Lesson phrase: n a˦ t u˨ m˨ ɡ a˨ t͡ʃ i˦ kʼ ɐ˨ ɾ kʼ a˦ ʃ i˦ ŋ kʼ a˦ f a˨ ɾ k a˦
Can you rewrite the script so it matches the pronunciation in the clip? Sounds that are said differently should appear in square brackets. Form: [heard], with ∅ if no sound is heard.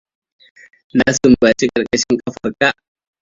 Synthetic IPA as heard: n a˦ [s] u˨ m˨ [b] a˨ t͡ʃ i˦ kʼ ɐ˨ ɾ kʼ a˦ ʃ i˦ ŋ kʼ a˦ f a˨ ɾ k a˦